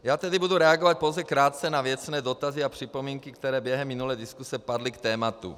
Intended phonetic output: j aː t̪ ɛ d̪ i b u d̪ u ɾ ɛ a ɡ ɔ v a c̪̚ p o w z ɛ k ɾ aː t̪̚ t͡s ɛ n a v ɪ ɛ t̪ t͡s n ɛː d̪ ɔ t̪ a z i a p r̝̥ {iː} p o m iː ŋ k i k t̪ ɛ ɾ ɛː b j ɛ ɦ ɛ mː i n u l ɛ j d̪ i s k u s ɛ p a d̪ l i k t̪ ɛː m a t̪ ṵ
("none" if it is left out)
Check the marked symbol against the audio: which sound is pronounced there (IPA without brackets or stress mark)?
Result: i